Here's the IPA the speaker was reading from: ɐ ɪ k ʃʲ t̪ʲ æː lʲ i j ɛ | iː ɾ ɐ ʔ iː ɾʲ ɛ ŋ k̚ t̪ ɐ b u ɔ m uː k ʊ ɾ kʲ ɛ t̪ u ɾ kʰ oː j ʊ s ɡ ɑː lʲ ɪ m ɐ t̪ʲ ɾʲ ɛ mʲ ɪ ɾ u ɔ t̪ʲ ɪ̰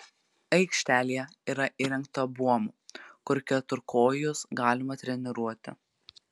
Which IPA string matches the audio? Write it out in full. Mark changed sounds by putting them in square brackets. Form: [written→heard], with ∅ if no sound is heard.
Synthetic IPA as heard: ɐ ɪ k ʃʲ t̪ʲ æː lʲ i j ɛ | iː ɾ ɐ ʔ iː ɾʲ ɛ ŋ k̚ t̪ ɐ b u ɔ m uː k ʊ ɾ kʲ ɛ t̪ [u→ʊ] ɾ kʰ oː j ʊ s ɡ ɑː lʲ ɪ m ɐ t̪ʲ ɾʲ ɛ [mʲ→nʲ] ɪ ɾ u ɔ t̪ʲ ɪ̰